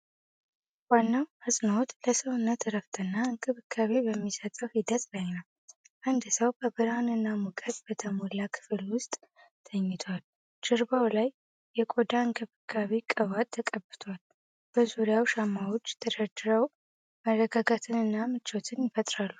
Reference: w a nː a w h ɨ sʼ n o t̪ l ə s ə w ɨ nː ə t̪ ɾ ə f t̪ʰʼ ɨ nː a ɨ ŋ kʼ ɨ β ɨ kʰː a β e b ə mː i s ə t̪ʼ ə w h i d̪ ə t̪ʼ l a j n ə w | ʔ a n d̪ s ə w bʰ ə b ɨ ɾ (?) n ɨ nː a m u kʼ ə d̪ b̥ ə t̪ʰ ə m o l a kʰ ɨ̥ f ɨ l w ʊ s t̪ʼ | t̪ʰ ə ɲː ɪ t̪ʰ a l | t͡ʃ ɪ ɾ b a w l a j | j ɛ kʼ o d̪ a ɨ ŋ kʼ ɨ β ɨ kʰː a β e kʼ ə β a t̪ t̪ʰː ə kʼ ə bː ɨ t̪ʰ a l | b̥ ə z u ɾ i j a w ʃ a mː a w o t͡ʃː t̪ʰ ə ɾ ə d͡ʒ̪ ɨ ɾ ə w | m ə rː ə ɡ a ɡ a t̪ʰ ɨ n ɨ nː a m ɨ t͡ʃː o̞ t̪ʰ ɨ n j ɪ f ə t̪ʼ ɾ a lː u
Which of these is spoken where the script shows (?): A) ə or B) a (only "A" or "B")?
B